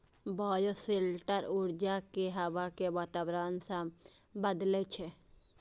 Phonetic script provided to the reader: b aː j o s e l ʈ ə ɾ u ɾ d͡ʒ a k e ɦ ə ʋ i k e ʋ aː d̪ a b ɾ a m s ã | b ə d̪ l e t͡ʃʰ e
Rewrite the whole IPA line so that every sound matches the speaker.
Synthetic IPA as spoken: b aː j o s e l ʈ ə ɾ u ɾ d͡ʒ a k e ɦ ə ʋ a k e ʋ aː t̪ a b ɾ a n s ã | b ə d̪ l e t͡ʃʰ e